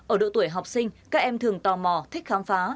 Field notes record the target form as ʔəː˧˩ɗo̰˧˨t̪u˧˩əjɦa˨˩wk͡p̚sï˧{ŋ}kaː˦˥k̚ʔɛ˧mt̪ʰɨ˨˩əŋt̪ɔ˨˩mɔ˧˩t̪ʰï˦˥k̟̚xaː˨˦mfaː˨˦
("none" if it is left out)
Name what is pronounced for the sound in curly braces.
ŋ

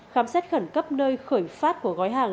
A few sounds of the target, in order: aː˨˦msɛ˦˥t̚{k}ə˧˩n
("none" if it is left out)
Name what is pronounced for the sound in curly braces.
x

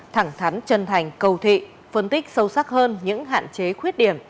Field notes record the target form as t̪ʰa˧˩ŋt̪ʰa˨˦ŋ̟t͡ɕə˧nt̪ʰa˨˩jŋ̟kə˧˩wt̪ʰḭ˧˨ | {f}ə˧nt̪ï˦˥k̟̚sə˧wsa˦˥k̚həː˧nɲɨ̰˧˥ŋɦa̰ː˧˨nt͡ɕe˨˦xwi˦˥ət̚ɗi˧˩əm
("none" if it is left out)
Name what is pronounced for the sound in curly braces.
f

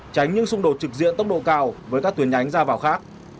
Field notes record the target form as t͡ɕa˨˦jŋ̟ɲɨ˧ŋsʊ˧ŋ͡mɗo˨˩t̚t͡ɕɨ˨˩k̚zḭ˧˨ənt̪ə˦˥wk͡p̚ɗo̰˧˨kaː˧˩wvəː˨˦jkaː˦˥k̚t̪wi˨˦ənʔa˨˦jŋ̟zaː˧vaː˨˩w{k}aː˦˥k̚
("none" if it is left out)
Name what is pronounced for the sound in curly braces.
x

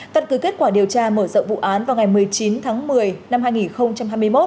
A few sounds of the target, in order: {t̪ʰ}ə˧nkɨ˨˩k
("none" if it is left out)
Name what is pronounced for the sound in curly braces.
t̪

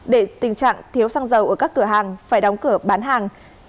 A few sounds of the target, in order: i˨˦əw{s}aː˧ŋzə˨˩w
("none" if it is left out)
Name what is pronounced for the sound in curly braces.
s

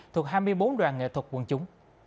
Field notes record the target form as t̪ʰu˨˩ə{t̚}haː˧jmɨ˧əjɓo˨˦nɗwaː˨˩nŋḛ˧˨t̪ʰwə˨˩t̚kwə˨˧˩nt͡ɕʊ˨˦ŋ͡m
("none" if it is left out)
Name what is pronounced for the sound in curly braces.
k̚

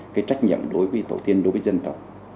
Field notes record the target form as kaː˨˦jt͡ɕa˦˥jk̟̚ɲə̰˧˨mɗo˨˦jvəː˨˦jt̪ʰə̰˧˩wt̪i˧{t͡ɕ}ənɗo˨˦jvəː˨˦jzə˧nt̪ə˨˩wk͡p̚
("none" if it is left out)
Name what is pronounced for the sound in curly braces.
none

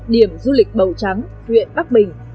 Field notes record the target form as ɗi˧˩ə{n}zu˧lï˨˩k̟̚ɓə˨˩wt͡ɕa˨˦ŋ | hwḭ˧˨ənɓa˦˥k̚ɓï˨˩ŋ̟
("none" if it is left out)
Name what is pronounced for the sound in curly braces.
m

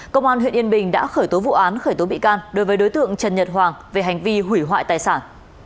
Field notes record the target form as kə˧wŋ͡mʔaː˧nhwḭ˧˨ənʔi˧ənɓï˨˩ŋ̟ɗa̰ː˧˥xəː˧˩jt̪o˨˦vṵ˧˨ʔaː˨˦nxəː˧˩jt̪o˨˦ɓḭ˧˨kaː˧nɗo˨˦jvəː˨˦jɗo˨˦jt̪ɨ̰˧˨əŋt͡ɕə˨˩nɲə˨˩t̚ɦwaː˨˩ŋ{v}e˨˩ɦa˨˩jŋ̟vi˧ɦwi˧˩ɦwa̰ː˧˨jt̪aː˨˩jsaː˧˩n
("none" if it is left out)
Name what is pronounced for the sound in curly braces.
v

